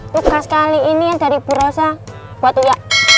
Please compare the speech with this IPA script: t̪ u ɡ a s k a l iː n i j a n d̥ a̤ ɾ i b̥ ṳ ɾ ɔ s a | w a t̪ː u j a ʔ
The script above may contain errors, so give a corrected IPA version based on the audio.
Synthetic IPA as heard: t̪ u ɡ a s k a l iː n i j a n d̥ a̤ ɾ i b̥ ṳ ɾ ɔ s a | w a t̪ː u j a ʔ